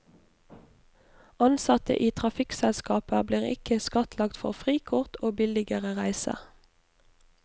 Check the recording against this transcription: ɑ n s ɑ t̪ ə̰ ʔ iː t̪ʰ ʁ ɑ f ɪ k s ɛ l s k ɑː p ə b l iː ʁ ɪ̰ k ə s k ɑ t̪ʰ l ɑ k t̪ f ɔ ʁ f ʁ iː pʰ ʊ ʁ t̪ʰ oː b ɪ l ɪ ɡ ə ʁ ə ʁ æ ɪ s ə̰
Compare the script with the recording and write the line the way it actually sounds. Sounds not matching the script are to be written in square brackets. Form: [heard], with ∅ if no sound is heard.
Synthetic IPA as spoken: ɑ n s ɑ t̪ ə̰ ʔ iː t̪ʰ ʁ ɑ f ɪ k s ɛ l s k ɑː p ə b l iː ʁ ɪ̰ k ə s k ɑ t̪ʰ l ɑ k t̪ f ɔ ʁ f ʁ iː [kʰ] ʊ ʁ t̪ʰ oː b ɪ l ɪ ɡ ə ʁ ə ʁ æ ɪ s ə̰